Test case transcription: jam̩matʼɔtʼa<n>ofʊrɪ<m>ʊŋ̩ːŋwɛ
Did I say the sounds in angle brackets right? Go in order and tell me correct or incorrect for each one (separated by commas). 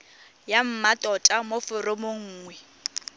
incorrect, correct